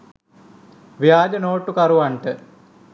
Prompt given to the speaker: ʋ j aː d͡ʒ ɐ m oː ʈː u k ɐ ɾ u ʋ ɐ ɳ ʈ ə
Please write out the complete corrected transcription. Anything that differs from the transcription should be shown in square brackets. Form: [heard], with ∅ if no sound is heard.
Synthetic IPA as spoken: ʋ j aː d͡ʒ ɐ [n] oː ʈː u k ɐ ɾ u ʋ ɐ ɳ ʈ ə